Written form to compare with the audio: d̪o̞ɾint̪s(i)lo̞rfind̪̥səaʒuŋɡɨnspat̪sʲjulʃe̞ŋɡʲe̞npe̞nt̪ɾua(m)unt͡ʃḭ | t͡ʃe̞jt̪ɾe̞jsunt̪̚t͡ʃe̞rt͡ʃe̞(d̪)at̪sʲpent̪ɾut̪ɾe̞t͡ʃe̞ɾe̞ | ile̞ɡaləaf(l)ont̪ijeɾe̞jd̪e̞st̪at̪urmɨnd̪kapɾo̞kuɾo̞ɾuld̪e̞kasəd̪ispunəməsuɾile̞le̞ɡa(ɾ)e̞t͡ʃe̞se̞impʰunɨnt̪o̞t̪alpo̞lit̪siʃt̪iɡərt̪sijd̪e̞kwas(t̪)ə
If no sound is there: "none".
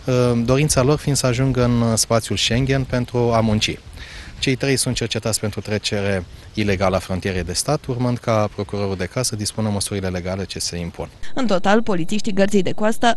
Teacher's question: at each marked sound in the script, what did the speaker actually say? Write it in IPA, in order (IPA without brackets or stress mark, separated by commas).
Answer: a, m, t̪, ɾ, l, t̪